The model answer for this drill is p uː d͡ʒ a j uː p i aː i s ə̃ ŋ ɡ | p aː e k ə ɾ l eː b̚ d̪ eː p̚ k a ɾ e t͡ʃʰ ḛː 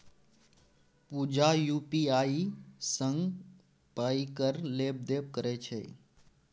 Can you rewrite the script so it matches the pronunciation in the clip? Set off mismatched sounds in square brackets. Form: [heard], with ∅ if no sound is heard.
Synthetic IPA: p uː d͡ʒ a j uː p i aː i s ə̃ ŋ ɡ | p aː [i] k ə ɾ l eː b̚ d̪ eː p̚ k [ə] ɾ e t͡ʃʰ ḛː